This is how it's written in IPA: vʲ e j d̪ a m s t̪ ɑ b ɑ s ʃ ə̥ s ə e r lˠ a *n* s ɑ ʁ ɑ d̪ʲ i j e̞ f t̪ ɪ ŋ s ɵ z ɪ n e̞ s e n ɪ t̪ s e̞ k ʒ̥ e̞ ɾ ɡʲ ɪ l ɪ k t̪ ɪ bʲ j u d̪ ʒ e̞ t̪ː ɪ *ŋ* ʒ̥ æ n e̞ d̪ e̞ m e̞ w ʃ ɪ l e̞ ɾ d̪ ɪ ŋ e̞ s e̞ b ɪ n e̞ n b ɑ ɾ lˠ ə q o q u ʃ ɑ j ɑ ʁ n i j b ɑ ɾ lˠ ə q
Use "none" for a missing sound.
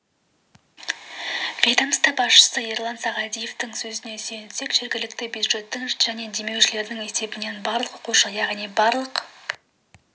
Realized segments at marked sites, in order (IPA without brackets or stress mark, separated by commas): n, ŋ